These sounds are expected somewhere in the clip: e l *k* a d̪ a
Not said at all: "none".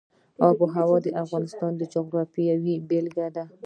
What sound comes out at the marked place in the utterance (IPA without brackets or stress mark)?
ɡ